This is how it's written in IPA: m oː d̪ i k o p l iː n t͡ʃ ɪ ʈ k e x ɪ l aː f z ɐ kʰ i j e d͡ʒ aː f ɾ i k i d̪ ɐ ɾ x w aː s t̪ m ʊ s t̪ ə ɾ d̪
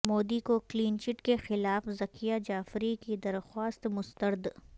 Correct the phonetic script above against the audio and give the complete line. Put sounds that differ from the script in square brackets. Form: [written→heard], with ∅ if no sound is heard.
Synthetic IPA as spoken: m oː d̪ i k o [p→k] l iː n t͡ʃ ɪ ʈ k e x ɪ l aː f z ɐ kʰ i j [e→a] d͡ʒ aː f ɾ i k i d̪ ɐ ɾ x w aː s t̪ m ʊ s t̪ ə ɾ d̪